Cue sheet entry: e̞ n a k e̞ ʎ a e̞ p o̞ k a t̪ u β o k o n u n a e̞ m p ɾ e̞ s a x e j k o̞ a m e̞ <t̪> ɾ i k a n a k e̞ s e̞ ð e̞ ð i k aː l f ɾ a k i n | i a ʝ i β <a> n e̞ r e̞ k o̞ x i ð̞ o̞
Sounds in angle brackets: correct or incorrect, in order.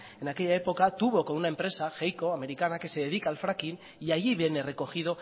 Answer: incorrect, incorrect

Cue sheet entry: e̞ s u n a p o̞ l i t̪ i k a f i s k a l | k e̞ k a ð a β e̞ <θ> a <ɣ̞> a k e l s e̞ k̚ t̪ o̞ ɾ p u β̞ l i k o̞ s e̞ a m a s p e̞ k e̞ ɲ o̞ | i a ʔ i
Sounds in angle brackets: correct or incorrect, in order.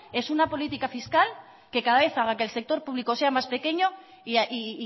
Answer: correct, correct

